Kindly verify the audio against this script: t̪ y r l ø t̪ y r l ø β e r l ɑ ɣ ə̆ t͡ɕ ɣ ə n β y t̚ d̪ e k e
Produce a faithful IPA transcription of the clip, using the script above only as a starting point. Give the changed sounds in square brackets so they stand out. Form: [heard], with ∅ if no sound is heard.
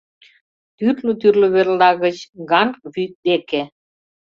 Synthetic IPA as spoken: t̪ y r l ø t̪ y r l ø β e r l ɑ ɣ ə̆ t͡ɕ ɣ [ɑ] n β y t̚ d̪ e k e